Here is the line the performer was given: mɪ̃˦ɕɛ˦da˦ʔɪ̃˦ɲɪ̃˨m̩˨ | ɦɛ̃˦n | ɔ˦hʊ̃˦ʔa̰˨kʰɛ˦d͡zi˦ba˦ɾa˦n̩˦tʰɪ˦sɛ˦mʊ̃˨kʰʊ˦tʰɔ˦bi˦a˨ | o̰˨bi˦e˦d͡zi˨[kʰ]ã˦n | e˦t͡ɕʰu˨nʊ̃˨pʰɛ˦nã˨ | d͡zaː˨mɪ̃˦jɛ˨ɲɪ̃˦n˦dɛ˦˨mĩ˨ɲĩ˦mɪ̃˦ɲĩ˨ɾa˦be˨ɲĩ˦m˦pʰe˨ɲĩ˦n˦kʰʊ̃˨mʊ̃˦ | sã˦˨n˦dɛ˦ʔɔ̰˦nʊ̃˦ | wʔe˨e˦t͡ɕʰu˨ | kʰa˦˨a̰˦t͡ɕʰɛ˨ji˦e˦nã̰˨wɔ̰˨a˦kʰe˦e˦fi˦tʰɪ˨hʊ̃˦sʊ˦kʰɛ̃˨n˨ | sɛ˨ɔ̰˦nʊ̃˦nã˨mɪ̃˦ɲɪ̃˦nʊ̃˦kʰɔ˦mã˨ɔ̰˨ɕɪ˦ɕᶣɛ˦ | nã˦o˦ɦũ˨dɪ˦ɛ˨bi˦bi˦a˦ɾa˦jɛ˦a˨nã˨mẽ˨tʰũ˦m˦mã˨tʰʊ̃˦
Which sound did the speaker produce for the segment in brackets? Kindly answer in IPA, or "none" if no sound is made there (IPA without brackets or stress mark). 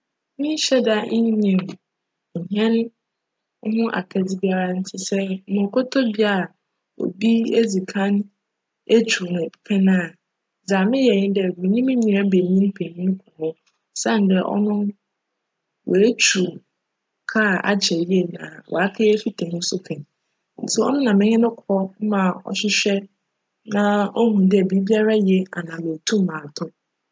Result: kʰ